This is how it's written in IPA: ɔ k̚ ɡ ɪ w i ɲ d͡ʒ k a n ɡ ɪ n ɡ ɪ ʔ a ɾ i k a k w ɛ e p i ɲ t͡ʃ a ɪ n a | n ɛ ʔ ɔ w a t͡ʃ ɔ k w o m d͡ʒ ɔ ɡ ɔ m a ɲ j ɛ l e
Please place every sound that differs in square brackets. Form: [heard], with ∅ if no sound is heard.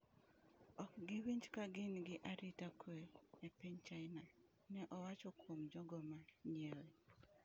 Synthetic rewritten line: ɔ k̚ ɡ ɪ w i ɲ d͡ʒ k a [∅] ɡ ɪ n ɡ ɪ ʔ a ɾ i [t] a k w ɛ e p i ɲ t͡ʃ a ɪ n a | n ɛ ʔ ɔ w a t͡ʃ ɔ k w o m d͡ʒ ɔ ɡ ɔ m a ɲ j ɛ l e